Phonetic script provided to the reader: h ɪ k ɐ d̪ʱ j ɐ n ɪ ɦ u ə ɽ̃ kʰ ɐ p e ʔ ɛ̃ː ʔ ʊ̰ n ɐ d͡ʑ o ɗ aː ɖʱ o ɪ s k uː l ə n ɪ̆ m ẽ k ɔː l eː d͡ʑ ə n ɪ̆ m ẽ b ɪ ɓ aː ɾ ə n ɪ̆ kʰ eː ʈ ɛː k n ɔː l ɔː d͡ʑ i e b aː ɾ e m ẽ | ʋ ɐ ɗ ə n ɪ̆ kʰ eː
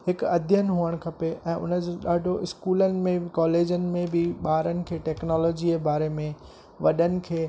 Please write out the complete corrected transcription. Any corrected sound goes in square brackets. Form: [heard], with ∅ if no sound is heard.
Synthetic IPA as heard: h ɪ k ɐ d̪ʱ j [ə] n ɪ ɦ u ə ɽ̃ kʰ ɐ p e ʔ ɛ̃ː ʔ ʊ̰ n [ə] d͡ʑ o ɗ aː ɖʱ o ɪ s k uː l ə n ɪ̆ m ẽ k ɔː l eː d͡ʑ ə n ɪ̆ m ẽ b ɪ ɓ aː ɾ ə n ɪ̆ kʰ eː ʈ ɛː k n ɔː l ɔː d͡ʑ i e b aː ɾ e m ẽ | ʋ ɐ ɗ ə n ɪ̆ kʰ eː